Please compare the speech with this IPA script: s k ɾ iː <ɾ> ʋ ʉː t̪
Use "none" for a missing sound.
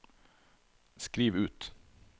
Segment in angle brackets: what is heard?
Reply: none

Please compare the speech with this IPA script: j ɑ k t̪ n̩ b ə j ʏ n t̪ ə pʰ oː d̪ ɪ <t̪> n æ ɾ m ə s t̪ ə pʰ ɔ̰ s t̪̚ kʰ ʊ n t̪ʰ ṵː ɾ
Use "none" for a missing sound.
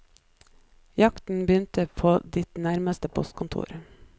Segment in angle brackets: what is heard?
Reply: t̪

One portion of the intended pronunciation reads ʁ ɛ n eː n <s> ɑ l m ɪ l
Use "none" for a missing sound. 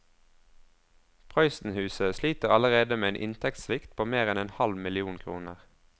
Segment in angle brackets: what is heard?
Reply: h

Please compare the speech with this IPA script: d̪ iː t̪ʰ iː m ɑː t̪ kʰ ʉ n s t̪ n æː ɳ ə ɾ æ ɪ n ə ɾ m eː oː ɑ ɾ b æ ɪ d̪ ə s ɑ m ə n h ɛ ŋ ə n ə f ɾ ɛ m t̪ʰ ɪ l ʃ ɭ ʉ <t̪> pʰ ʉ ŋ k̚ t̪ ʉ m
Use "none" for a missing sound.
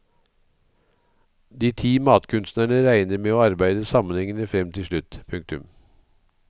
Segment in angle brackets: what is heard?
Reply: t̪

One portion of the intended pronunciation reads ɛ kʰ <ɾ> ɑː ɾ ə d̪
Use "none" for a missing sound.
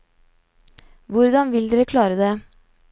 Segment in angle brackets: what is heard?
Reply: l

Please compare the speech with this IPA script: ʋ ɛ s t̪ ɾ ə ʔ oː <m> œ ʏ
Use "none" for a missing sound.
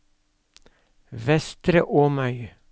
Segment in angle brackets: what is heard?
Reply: m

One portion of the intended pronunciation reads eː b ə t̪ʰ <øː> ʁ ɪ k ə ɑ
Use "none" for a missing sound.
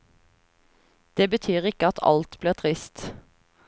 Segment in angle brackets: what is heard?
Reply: yː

